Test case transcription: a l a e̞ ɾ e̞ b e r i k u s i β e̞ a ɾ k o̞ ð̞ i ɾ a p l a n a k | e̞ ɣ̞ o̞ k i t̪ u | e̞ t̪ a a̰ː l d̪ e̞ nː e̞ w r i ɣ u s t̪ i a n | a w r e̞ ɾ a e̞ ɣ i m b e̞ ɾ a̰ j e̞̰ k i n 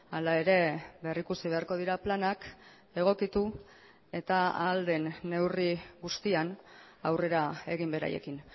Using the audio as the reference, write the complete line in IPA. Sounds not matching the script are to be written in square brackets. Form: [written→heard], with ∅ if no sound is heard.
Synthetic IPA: a l a e̞ ɾ e̞ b e r i k u s i β e̞ a ɾ k o̞ ð̞ i ɾ a p l a n a k | e̞ ɣ̞ o̞ k i t̪ u | e̞ t̪ a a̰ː l d̪ e̞ nː e̞ w r i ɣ u s t̪ i a n | a w r e̞ ɾ a e̞ ɣ i m b e̞ ɾ a̰ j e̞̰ k i n